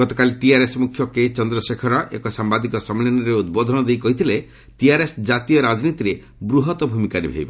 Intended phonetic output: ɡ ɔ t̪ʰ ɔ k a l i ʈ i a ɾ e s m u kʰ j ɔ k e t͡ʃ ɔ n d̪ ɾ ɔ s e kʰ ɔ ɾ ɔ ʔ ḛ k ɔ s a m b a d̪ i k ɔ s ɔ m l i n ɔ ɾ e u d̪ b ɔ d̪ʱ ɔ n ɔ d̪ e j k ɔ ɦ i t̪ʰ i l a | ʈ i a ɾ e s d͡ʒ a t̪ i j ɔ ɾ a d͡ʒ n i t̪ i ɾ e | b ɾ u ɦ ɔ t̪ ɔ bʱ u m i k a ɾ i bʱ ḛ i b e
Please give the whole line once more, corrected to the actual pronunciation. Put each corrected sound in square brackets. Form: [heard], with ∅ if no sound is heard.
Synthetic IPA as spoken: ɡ ɔ [t̪] ɔ k a l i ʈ i a ɾ e s m u kʰ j ɔ k e t͡ʃ ɔ n d̪ ɾ ɔ s e kʰ ɔ ɾ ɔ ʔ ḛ k ɔ s a m b a d̪ i k ɔ s ɔ m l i n ɔ ɾ e u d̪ b ɔ d̪ʱ ɔ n ɔ d̪ e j k ɔ ɦ i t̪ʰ i l [e] | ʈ i a ɾ e s d͡ʒ a t̪ i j ɔ ɾ a d͡ʒ n i t̪ i ɾ e | b ɾ u ɦ ɔ t̪ ɔ bʱ u m i k a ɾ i bʱ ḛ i b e

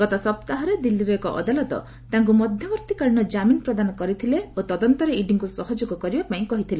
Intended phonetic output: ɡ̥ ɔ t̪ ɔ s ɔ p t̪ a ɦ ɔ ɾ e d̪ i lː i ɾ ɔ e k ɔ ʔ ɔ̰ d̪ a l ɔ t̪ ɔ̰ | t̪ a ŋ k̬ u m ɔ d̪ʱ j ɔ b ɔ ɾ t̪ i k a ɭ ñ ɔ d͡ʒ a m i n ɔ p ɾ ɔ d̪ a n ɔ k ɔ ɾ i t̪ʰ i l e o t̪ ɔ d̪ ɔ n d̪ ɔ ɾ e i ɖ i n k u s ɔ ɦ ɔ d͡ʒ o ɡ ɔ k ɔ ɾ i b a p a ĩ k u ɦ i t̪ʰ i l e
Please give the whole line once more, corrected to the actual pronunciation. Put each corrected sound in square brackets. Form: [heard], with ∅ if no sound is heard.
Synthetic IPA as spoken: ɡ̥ ɔ t̪ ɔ s ɔ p t̪ a ɦ ɔ ɾ e d̪ i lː i ɾ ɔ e k ɔ ʔ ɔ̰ d̪ a l ɔ t̪ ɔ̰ | t̪ a ŋ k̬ u m ɔ d̪ʱ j ɔ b ɔ ɾ t̪ i k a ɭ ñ ɔ d͡ʒ a m i n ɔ p ɾ ɔ d̪ a n ɔ k ɔ ɾ i t̪ʰ i l e o t̪ ɔ d̪ ɔ n [t̪] ɔ ɾ e i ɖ i [ŋ] k u s ɔ ɦ ɔ d͡ʒ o ɡ ɔ k ɔ ɾ i b a p a ĩ k [ɔ] ɦ i t̪ʰ i l e

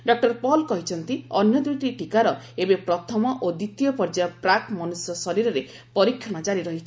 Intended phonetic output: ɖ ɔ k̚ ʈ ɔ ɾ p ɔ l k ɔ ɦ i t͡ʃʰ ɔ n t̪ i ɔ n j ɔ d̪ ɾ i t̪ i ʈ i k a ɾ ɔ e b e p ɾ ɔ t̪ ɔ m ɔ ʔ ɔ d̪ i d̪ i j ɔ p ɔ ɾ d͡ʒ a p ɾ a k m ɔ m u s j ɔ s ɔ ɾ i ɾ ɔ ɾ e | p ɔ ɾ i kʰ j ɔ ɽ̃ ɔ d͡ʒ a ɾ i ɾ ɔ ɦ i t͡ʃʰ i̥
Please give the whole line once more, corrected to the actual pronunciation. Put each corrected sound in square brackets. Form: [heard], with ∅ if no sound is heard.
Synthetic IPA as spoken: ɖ ɔ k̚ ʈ ɔ ɾ p ɔ l k ɔ ɦ i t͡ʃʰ ɔ n t̪ i ɔ n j ɔ d̪ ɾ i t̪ i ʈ i k a ɾ ɔ e b e p ɾ ɔ [t̪ʰ] ɔ m ɔ ʔ [o] d̪ i [t̪] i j ɔ p ɔ ɾ d͡ʒ a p ɾ a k m ɔ [n] u s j ɔ s ɔ ɾ i ɾ ɔ ɾ e | p ɔ ɾ i kʰ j ɔ ɽ̃ ɔ d͡ʒ a ɾ i ɾ ɔ ɦ i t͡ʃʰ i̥

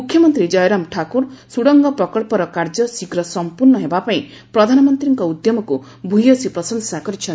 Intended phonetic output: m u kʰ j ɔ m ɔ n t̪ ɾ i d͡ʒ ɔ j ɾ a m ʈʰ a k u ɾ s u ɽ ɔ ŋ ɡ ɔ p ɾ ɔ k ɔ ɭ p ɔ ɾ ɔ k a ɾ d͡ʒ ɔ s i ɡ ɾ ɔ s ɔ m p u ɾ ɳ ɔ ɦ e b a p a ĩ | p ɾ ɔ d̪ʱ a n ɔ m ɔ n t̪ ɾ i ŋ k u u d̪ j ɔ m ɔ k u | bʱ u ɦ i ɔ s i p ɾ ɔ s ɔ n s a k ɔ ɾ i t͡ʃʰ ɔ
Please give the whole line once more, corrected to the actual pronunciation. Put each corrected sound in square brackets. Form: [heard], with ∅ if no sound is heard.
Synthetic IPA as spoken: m u kʰ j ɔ m ɔ n t̪ ɾ i d͡ʒ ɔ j ɾ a m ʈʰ a k u ɾ s u ɽ ɔ ŋ ɡ ɔ p ɾ ɔ k ɔ ɭ p ɔ ɾ ɔ k a ɾ d͡ʒ ɔ s i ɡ ɾ ɔ s ɔ m p u ɾ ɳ ɔ ɦ e b a p a ĩ | p ɾ ɔ d̪ʱ a n ɔ m ɔ n t̪ ɾ i ŋ k [ɔ] u d̪ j ɔ m ɔ k u | bʱ u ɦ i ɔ s i p ɾ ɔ s ɔ n s a k ɔ ɾ i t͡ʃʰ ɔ

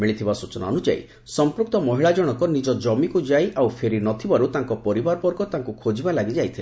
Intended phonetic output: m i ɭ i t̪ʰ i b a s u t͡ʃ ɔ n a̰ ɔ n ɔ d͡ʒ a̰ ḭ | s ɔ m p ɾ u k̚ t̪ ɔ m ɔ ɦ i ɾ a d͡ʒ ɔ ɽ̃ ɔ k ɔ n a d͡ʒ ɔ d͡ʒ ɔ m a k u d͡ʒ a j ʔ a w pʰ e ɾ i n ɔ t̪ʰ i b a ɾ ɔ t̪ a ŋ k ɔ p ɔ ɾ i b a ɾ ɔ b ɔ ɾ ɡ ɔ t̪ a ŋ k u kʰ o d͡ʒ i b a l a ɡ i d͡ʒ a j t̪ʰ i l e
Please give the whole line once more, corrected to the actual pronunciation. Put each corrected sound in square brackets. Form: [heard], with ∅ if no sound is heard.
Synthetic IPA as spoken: m i ɭ i t̪ʰ i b a s u t͡ʃ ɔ n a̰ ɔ n [u] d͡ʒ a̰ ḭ | s ɔ m p ɾ u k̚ t̪ ɔ m ɔ ɦ i [ɭ] a d͡ʒ ɔ ɽ̃ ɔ k ɔ n [i] d͡ʒ ɔ d͡ʒ ɔ m [i] k u d͡ʒ a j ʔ a w pʰ e ɾ i n ɔ t̪ʰ i b a ɾ [u] t̪ a ŋ k ɔ p ɔ ɾ i b a ɾ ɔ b ɔ ɾ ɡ ɔ t̪ a ŋ k u kʰ o d͡ʒ i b a l a ɡ i d͡ʒ a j t̪ʰ i l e

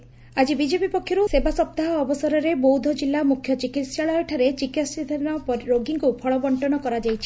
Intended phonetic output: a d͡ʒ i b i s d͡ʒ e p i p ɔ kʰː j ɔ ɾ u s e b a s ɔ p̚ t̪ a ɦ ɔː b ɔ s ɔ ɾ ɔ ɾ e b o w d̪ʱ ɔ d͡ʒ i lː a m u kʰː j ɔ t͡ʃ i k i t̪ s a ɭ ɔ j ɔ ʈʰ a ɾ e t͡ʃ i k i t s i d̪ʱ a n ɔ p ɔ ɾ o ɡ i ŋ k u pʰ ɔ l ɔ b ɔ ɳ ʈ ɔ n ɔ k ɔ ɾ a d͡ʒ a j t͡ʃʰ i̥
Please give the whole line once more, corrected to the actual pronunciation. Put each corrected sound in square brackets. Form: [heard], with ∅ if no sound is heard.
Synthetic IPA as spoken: a d͡ʒ i b i [∅] d͡ʒ e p i p ɔ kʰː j ɔ ɾ u s e b a s ɔ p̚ t̪ a ɦ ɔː b ɔ s ɔ ɾ ɔ ɾ e b o w d̪ʱ ɔ d͡ʒ i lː a m u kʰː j ɔ t͡ʃ i k i t̪ s a ɭ ɔ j ɔ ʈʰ a ɾ e t͡ʃ i k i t s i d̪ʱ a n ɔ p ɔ ɾ o ɡ i ŋ k u pʰ ɔ [ɭ] ɔ b ɔ ɳ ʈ ɔ n ɔ k ɔ ɾ a d͡ʒ a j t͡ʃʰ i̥

